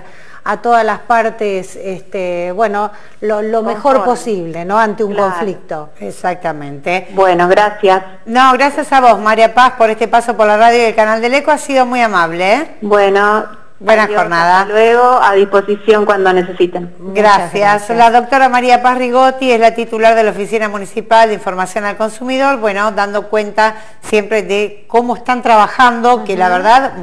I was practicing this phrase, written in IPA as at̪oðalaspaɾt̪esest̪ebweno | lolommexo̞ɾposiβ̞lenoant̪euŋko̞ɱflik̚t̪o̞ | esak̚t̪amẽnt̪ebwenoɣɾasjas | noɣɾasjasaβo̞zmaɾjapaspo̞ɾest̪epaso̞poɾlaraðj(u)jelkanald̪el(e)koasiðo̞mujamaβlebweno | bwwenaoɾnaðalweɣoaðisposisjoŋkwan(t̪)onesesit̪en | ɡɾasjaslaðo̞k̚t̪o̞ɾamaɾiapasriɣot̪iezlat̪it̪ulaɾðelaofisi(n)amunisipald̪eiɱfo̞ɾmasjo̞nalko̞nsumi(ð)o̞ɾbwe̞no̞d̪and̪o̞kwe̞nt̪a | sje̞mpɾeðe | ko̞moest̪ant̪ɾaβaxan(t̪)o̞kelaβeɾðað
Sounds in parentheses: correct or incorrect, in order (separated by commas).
incorrect, correct, incorrect, correct, correct, incorrect